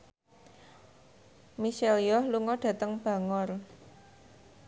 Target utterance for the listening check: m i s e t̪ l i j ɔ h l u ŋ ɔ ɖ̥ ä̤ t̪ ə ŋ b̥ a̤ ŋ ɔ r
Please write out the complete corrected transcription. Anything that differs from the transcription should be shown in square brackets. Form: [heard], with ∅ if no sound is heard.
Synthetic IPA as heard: m i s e [∅] l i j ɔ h l u ŋ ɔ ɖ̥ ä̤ t̪ ə ŋ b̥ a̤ ŋ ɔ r

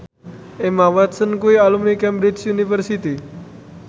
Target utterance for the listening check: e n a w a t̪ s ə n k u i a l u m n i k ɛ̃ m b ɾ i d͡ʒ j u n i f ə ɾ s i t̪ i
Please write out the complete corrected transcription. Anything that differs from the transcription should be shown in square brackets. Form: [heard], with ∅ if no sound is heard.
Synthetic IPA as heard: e [m] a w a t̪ s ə n k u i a l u m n i k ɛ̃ m b ɾ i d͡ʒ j u n i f ə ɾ s i t̪ i

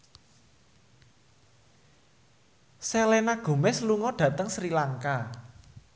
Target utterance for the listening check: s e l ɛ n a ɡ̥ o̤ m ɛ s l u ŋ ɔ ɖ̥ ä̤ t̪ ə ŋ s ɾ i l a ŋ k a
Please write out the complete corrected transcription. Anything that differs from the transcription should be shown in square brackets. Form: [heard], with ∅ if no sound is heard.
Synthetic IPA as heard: s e l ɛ n a ɡ̥ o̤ m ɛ s l u ŋ ɔ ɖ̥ ä̤ t̪ ə ŋ s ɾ i l a ŋ k a

